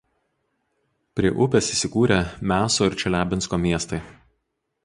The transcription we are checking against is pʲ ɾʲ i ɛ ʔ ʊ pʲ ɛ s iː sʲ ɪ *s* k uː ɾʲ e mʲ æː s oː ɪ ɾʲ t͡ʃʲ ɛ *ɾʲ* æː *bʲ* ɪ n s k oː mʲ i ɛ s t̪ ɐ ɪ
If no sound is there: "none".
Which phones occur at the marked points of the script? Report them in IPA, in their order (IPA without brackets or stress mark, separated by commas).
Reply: none, lʲ, bʲ